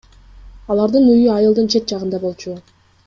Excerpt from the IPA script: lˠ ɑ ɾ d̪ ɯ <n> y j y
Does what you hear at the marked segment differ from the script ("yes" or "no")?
no